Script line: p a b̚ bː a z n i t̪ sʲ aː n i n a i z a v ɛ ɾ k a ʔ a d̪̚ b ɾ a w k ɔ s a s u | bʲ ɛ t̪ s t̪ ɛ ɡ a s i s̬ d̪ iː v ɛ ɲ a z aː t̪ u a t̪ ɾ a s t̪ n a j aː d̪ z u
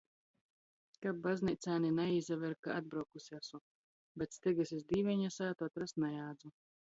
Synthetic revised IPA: k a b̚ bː a z n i t̪ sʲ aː n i n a i z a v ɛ ɾ k a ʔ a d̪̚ b ɾ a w k u s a s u | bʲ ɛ t̪ s t̪ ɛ ɡ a s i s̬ d̪ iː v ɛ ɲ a s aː t̪ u a t̪ ɾ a s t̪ n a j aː d̪ z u